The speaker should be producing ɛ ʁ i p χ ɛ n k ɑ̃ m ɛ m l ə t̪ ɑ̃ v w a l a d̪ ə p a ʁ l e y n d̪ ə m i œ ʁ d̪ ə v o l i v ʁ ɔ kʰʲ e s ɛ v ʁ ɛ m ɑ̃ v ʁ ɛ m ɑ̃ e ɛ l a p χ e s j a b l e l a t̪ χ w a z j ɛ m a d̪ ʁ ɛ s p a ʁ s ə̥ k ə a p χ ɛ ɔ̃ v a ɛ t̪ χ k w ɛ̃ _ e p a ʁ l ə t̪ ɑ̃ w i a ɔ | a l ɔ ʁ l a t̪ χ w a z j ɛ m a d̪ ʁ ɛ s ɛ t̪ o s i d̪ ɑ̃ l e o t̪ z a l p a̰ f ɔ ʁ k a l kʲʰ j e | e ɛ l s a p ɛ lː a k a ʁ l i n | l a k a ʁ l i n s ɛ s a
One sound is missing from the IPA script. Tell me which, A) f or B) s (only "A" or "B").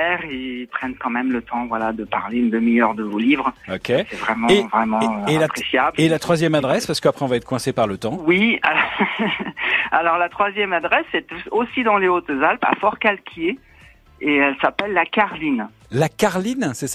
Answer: B